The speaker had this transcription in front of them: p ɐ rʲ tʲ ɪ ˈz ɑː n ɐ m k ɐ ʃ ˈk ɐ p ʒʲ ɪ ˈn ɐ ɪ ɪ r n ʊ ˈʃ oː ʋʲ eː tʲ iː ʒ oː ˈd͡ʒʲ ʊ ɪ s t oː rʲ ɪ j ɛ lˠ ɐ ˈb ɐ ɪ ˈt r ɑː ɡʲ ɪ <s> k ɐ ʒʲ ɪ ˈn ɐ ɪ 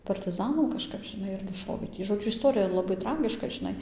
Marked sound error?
yes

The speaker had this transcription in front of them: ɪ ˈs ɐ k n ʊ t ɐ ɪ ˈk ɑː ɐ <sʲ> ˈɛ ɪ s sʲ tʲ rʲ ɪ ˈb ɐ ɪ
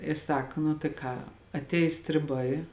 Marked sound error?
yes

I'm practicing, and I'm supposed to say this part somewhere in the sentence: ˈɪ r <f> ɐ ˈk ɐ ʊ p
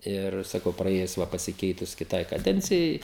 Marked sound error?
yes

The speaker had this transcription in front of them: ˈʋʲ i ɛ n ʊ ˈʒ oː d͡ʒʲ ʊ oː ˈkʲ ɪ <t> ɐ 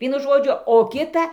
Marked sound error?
no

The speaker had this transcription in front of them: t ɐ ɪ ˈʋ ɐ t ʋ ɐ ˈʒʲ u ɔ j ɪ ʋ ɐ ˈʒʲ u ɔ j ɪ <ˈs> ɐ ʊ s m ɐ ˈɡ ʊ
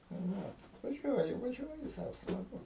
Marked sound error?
no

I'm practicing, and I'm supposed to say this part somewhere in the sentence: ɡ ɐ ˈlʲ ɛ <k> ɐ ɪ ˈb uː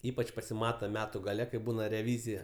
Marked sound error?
no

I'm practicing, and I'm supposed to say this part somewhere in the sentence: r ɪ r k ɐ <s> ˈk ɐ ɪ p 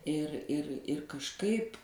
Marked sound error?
yes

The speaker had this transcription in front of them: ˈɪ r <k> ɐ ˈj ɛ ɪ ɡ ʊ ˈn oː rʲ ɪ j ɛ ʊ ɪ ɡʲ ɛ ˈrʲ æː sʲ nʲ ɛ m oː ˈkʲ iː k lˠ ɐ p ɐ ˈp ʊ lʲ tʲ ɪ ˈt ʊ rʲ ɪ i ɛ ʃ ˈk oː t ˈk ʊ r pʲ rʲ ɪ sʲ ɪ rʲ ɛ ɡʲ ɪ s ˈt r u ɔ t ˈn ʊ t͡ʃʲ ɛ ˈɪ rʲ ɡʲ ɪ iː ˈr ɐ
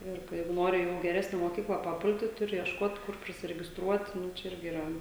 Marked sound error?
no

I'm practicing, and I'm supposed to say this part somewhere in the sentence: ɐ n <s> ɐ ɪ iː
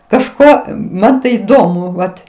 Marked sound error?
yes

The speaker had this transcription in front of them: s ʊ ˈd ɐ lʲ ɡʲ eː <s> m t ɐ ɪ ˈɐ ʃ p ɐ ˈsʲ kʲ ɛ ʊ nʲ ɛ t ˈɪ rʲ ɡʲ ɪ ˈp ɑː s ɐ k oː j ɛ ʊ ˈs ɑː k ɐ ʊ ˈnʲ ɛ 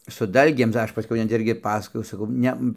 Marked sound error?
yes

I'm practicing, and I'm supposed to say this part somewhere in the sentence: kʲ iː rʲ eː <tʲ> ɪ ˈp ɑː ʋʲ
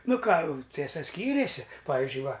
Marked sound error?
yes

